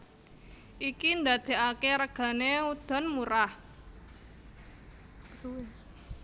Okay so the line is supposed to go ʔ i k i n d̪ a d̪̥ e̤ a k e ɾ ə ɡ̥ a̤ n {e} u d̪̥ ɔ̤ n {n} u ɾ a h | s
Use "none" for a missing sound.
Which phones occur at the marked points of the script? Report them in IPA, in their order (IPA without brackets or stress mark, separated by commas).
e, m